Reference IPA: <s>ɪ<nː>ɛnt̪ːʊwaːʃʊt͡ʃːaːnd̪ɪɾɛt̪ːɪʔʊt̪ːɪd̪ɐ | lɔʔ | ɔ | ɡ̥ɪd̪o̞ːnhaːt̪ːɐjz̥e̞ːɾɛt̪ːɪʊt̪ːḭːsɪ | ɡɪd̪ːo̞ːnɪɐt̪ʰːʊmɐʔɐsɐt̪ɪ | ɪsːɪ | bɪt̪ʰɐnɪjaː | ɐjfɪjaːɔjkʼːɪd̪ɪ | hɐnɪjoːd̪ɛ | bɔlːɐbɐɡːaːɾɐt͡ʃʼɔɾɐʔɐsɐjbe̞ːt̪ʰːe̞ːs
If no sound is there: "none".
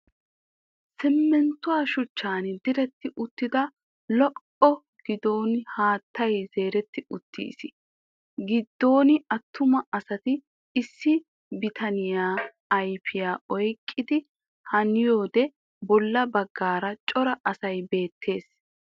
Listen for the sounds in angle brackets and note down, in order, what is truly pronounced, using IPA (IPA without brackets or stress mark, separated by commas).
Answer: s, mː